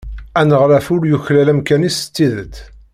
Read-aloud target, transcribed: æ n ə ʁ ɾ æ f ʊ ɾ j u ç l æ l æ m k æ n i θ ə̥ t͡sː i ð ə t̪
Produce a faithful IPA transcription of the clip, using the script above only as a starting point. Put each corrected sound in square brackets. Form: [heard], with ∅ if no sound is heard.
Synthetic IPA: æ n ə ʁ ɾ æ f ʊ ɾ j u ç l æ l æ m k æ n i [s] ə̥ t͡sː i ð ə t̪